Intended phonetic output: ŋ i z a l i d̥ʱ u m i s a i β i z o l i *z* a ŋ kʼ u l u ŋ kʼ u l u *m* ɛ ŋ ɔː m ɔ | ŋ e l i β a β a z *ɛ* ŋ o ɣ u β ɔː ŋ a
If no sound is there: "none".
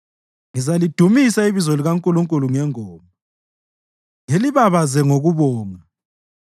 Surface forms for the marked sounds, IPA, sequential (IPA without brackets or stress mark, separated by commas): ɣ, ŋ, ɛ